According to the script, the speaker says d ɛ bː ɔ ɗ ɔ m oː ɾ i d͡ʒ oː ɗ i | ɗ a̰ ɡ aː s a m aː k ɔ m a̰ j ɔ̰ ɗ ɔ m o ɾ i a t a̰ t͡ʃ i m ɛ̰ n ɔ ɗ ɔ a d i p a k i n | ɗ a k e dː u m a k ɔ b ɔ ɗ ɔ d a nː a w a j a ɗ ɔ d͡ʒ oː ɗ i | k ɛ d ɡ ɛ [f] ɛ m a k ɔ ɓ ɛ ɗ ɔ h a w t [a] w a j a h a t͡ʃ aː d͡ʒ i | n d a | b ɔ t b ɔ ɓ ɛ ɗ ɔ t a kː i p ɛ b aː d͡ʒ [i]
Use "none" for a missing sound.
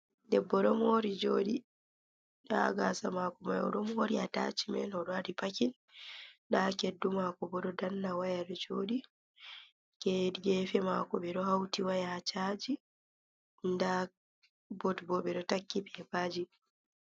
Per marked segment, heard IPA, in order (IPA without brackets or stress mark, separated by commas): f, i, i